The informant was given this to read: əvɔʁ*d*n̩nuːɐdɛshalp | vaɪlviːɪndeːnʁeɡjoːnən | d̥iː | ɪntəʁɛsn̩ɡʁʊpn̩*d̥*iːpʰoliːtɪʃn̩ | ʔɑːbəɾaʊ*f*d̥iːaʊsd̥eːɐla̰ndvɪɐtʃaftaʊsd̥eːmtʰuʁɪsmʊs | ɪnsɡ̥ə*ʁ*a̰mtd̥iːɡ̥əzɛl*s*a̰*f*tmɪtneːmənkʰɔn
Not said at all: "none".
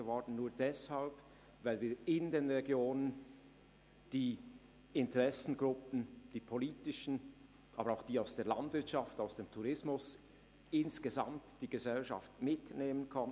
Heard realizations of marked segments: d, d̥, x, z, ʃ, f

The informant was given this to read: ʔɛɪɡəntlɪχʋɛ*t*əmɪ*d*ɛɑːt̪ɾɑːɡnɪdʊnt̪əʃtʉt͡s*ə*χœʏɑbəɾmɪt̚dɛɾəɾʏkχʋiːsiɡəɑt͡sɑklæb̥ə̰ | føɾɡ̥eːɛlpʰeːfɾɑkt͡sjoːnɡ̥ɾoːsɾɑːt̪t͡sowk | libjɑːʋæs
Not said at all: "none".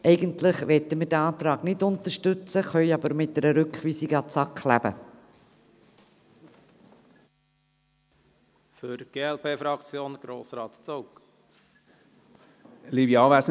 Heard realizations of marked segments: t, d, ə

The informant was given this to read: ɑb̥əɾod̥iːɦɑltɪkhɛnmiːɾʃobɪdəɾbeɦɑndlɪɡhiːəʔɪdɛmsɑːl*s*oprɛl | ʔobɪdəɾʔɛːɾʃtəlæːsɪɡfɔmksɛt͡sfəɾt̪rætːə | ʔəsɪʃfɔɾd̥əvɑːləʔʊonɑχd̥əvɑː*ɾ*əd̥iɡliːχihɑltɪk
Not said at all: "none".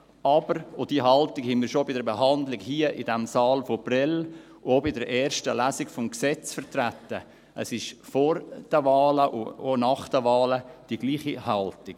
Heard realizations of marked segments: f, l

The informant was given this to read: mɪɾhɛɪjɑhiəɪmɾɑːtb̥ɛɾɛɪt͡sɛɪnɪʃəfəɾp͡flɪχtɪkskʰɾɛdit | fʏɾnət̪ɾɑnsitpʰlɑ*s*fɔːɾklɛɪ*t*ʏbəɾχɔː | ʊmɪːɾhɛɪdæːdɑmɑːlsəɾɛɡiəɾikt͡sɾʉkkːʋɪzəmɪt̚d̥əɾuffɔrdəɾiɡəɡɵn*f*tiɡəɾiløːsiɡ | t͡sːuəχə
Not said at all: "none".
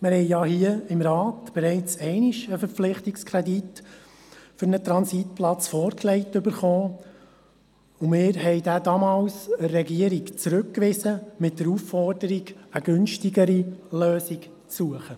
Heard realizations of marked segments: t͡s, t, ʃ

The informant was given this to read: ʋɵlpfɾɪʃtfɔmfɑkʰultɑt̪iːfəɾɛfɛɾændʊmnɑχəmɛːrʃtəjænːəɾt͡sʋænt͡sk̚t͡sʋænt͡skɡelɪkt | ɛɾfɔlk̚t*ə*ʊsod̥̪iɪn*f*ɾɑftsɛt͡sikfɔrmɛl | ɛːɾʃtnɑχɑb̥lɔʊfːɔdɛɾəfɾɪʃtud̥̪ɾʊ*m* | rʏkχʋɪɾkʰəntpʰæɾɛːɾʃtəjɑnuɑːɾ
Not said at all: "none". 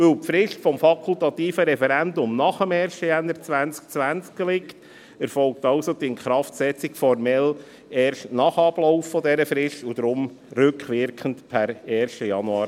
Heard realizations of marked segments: ɑ, χ, m

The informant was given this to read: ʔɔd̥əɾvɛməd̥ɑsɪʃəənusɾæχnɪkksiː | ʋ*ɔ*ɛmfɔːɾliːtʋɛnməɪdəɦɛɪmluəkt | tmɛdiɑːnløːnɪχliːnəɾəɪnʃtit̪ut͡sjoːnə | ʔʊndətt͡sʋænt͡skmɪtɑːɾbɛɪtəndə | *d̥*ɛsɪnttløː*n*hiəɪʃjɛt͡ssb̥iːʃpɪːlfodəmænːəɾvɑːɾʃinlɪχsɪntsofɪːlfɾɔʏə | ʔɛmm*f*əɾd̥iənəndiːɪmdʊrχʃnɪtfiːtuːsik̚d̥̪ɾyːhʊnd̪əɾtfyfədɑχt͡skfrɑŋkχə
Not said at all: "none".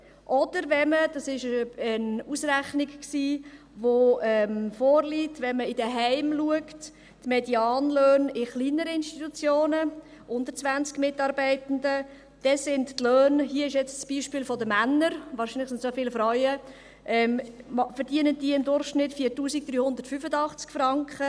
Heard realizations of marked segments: o, d̥, n, f

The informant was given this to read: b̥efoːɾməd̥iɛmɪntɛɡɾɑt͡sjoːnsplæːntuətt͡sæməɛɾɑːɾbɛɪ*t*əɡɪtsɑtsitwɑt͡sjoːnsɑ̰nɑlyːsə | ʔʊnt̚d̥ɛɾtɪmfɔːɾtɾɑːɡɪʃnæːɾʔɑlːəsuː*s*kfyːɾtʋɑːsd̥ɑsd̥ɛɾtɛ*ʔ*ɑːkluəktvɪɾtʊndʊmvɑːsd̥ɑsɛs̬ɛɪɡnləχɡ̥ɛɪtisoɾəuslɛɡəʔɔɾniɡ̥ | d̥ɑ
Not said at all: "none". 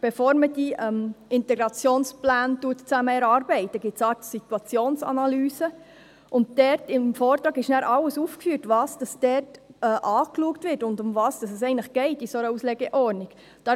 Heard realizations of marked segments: t, f, ʔ

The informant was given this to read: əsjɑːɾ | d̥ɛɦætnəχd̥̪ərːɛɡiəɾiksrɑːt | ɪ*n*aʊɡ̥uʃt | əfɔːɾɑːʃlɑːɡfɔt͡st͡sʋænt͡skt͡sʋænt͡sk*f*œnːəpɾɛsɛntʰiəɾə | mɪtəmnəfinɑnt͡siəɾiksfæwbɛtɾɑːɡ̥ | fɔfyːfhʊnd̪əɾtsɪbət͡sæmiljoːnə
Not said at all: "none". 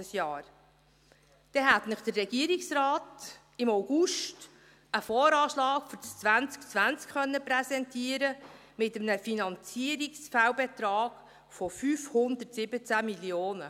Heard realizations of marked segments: m, χ

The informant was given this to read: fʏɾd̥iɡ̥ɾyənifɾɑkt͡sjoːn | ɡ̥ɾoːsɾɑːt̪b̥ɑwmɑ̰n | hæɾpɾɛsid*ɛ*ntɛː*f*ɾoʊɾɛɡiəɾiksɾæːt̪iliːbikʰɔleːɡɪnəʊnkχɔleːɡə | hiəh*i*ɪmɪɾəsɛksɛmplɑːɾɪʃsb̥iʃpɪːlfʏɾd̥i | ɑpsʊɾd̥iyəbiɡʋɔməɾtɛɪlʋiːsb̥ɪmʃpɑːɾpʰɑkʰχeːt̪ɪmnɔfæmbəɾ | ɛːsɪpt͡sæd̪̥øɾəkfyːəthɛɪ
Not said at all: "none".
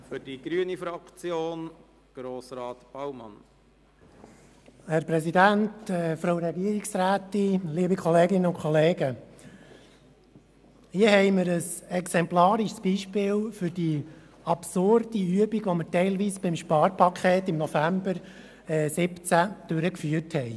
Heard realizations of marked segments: æ, f, ɛ

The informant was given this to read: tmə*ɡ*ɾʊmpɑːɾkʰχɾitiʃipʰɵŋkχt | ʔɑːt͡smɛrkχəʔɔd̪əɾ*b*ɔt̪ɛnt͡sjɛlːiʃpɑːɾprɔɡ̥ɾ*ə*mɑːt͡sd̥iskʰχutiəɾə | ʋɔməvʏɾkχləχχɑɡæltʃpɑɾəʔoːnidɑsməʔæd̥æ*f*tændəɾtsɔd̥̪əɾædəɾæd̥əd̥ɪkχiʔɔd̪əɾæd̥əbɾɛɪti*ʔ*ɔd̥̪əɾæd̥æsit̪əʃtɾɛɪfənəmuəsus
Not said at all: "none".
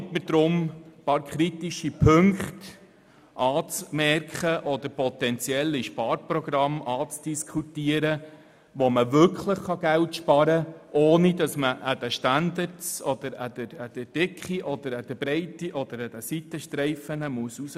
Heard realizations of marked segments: d, p, ɑ, ʃ, ʔ

